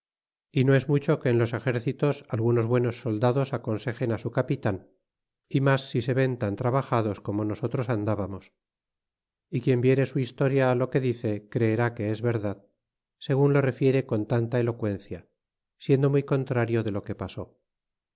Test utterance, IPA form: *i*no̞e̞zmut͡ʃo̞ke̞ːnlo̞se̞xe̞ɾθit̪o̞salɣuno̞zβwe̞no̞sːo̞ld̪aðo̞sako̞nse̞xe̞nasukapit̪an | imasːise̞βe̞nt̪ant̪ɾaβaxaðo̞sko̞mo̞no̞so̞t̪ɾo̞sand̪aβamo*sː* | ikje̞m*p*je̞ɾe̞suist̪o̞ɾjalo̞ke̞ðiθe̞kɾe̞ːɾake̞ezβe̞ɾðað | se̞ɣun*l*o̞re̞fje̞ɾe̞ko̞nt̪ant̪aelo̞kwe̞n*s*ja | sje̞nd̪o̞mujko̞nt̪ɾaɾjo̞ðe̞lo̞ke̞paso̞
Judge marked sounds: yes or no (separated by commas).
yes, no, no, yes, no